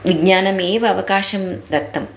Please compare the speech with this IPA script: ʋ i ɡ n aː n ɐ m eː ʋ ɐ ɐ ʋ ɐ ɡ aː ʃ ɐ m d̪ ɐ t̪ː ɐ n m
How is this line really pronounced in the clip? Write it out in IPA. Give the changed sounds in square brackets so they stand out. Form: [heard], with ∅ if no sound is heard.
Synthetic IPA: ʋ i ɡ [ɲ] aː n ɐ m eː ʋ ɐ ɐ ʋ ɐ [k] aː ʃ ɐ m d̪ ɐ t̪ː ɐ [∅] m